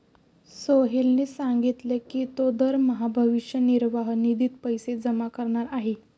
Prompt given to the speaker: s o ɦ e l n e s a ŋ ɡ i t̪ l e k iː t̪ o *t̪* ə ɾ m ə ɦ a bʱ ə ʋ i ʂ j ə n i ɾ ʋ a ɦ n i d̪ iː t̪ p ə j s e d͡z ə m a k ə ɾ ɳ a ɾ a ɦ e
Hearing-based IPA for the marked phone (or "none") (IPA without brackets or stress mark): d̪